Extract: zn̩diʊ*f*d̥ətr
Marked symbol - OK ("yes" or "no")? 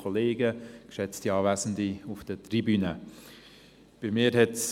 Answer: yes